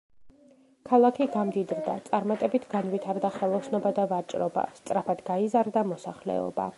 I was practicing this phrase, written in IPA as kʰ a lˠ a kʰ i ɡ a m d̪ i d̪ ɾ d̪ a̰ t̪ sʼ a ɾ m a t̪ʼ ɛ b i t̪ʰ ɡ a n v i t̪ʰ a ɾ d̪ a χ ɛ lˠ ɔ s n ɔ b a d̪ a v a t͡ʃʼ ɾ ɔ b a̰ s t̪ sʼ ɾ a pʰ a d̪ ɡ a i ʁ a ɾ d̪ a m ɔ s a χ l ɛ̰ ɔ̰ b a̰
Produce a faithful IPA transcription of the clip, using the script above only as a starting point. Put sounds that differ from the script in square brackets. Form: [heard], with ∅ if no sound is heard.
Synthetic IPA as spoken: kʰ a lˠ a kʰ i ɡ a m d̪ i d̪ ɾ d̪ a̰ t̪ sʼ a ɾ m a t̪ʼ ɛ b i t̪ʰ ɡ a n v i t̪ʰ a ɾ d̪ a χ ɛ lˠ ɔ s n ɔ b a d̪ a v a t͡ʃʼ ɾ ɔ b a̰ s t̪ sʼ ɾ a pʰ a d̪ ɡ a i [z] a ɾ d̪ a m ɔ s a χ l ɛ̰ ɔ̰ b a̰

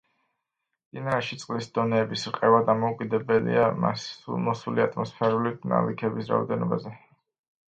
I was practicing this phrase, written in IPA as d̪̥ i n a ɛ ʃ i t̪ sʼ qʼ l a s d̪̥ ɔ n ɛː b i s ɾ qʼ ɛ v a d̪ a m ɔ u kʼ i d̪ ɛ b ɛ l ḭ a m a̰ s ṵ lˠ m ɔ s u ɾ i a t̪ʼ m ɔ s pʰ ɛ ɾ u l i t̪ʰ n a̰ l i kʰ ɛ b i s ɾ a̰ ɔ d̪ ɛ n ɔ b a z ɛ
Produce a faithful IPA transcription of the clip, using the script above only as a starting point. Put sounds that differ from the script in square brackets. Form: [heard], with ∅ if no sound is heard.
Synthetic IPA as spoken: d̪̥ i n a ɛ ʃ i t̪ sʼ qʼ l [i] s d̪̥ ɔ n ɛː b i s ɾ qʼ ɛ v a d̪ a m ɔ u kʼ i d̪ ɛ b ɛ l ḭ a m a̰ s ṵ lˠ m ɔ s u [l] i a t̪ʼ m ɔ s pʰ ɛ ɾ u l i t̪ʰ n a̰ l i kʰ ɛ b i s ɾ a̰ ɔ d̪ ɛ n ɔ b a z ɛ

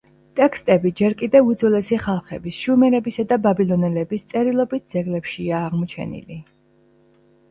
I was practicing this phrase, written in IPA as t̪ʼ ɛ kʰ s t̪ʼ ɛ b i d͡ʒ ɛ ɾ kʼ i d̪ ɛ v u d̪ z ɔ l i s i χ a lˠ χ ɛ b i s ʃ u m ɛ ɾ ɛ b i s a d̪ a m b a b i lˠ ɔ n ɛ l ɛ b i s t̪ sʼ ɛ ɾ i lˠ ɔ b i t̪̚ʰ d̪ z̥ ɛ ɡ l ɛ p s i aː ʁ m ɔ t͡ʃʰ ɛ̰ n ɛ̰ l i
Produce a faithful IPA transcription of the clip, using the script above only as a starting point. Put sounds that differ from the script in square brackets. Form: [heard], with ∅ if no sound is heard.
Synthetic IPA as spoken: t̪ʼ ɛ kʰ s t̪ʼ ɛ b i d͡ʒ ɛ ɾ kʼ i d̪ ɛ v u d̪ z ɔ l [ɛ] s i χ a lˠ χ ɛ b i s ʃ u m ɛ ɾ ɛ b i s a d̪ a [∅] b a b i lˠ ɔ n ɛ l ɛ b i s t̪ sʼ ɛ ɾ i lˠ ɔ b i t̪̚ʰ d̪ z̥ ɛ ɡ l ɛ p [ʃ] i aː ʁ m ɔ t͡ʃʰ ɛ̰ n [ḭ] l i

